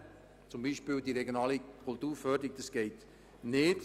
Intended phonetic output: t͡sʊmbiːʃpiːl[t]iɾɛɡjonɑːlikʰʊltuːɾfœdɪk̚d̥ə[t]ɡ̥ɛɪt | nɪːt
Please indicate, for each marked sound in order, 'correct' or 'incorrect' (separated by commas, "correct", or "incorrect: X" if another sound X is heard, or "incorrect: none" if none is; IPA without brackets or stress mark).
incorrect: d, incorrect: s